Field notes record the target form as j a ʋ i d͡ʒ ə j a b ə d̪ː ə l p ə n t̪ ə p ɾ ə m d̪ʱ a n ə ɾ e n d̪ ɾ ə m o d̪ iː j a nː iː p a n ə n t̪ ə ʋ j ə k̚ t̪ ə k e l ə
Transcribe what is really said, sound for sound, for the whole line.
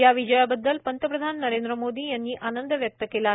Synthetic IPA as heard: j a ʋ i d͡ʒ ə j a b ə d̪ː ə l p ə n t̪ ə p ɾ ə d̪ʱ a nː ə ɾ e n d̪ ɾ ə m o d̪ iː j a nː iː ʔ a n ə n d̪ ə ʋ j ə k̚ t̪ ə k e l a

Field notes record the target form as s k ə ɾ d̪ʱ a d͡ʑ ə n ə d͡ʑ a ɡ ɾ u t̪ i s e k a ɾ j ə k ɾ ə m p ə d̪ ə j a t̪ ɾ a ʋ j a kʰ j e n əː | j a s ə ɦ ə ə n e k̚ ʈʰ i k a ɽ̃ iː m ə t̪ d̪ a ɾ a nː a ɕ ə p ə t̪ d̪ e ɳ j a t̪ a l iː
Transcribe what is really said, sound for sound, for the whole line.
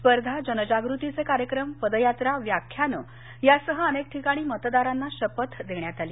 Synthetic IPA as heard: s p ə ɾ d̪ʱ a d͡ʑ ə n ə d͡ʑ a ɡ ɾ u t̪ i t͡s e k a ɾ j ə k ɾ ə m p ə d̪ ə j a t̪ ɾ a ʋ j a kʰ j a n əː | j a s ə ɦ ə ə n e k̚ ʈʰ i k a ɽ̃ iː m ə t̪ d̪ a ɾ a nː a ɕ ə p ə t̪ d̪ e ɳ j a t̪ a l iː

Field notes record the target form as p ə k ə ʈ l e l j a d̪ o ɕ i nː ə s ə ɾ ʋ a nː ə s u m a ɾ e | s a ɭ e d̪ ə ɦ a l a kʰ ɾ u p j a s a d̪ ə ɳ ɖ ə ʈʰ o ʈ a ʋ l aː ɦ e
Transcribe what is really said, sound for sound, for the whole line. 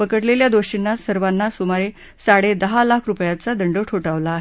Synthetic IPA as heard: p ə k ə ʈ l e l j a d̪ o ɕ i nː a s ə ɾ ʋ a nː a s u m a ɾ e | s a ɽ e d̪ ə ɦ a l a kʰ ɾ u p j a t͡s a d̪ ə ɳ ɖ ə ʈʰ o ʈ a ʋ l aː ɦ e

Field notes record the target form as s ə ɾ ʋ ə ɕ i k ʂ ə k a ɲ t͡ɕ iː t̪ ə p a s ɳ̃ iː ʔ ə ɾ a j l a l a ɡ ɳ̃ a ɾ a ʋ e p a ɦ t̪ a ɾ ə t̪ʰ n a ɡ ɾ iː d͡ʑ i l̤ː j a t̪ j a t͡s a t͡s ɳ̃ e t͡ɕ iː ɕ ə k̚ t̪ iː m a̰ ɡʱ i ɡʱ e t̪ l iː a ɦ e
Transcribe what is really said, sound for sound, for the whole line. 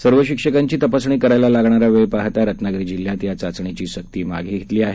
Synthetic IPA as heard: s ə ɾ ʋ ə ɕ i k ʂ ə k a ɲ t͡ɕ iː t̪ ə p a s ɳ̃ iː k ə ɾ a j l a l a ɡ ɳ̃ a ɾ a ʋ e p a ɦ t̪ a ɾ ə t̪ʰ n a ɡ ɾ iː d͡ʑ i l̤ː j a t̪ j a t͡s a t͡s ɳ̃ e t͡ɕ iː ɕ ə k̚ t̪ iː m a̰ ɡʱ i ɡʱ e t̪ l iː a ɦ e

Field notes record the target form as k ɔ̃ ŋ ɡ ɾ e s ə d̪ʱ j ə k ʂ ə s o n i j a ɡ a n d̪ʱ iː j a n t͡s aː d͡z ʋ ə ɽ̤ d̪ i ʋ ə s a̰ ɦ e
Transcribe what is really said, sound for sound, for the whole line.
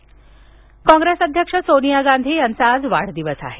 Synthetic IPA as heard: k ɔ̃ ŋ ɡ ɾ e s ə d̪ʱ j ə k ʂ ə s o n i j a ɡ a n d̪ʱ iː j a n t͡s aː d͡z ʋ a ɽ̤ d̪ i ʋ ə s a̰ ɦ e

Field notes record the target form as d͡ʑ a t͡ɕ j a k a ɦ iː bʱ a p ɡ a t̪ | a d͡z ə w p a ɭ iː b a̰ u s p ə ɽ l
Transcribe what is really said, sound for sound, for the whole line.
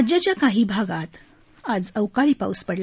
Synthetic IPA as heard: d͡ʑ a t͡ɕ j a k a ɦ iː bʱ a ɡ a t̪ | a d͡z ə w k a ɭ iː p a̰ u s p ə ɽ l

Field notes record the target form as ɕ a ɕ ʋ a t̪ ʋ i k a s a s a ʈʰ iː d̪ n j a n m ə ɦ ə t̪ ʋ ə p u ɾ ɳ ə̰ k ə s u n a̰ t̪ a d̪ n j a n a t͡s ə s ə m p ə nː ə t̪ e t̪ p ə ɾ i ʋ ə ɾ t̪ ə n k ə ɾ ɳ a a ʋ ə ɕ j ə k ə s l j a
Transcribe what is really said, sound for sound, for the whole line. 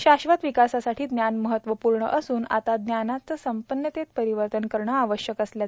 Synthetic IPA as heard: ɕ a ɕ ʋ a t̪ ʋ i k a s a s a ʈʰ iː d̪ n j a n m ə ɦ ə t̪ ʋ ə p u ɾ ɳ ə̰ ʔ ə s uː n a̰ t̪ a d̪ n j a n a t͡s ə s ə m p ə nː ə t̪ e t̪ p ə ɾ i ʋ ə ɾ t̪ ə n k ə ɾ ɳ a a ʋ ə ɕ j ə k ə s l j a

